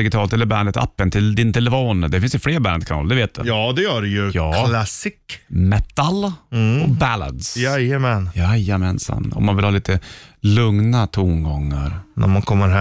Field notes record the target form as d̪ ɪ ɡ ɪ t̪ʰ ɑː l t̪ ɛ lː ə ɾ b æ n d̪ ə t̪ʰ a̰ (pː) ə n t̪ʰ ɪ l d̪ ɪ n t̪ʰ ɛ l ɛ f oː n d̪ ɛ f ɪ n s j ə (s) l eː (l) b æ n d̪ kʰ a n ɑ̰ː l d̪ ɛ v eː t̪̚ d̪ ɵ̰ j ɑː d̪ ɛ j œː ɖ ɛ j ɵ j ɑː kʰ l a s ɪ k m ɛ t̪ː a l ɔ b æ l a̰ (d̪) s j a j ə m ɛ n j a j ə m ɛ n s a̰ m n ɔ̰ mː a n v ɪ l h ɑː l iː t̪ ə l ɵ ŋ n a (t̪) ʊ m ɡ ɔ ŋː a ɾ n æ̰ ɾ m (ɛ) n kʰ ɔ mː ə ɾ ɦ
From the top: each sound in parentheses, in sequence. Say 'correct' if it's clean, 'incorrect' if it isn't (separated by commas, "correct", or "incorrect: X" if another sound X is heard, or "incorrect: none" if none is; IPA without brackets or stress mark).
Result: correct, incorrect: f, incorrect: ɾ, correct, incorrect: t̪ʰ, incorrect: a